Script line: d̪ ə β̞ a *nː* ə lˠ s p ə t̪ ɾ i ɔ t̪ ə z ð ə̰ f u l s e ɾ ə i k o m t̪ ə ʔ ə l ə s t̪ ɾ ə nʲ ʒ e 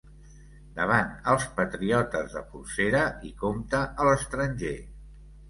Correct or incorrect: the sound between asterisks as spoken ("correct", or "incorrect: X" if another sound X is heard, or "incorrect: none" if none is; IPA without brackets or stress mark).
incorrect: n